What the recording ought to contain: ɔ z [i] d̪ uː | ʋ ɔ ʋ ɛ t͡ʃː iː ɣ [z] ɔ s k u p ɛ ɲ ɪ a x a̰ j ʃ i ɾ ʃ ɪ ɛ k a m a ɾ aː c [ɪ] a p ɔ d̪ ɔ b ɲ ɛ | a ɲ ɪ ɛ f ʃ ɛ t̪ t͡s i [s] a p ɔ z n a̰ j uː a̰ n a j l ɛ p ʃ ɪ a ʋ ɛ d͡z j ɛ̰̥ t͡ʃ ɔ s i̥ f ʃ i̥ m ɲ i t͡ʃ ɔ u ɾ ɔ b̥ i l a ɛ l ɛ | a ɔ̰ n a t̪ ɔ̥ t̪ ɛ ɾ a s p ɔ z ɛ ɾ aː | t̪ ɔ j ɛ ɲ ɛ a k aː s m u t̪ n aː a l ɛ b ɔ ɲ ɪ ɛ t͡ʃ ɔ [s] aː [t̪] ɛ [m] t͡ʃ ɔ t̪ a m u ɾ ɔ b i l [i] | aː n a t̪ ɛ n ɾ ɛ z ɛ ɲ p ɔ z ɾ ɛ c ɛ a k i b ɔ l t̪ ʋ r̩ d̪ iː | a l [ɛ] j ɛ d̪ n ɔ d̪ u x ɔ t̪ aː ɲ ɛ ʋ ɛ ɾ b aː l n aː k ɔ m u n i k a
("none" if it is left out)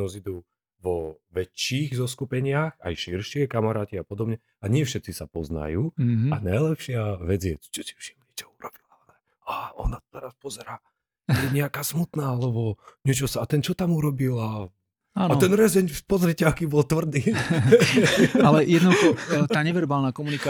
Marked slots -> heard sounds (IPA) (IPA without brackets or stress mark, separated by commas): i, z, i, s, s, t̪, n, a, ɛ